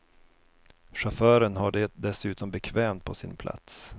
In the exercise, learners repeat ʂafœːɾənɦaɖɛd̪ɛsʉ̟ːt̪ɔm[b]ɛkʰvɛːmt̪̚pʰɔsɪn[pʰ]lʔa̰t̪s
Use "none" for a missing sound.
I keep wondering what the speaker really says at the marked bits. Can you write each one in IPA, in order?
b, pʰ

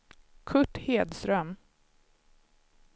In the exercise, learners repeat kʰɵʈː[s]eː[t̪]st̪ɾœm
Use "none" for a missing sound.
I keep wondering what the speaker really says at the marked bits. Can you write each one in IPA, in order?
h, d̪

